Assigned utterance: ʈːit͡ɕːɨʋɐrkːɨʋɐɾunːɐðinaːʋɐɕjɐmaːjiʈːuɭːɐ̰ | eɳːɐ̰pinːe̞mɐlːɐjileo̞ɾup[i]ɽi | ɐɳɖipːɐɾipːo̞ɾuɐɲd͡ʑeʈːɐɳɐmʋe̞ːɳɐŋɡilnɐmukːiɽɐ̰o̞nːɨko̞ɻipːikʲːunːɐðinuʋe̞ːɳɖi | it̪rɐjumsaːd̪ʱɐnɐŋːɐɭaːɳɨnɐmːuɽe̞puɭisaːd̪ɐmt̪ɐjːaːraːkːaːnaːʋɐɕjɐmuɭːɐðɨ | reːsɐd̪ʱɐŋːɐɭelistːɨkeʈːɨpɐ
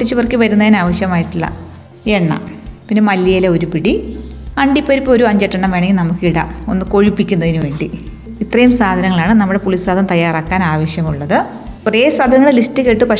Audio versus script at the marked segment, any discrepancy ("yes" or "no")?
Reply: no